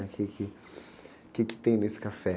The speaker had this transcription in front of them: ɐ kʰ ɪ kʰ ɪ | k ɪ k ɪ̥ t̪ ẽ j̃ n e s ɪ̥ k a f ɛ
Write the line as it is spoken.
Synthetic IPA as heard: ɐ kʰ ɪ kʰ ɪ | k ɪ k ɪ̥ t̪ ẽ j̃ n e s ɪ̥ k a f ɛ